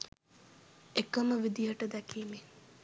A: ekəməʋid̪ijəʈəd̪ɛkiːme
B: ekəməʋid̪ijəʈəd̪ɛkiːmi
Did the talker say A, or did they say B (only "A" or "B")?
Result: A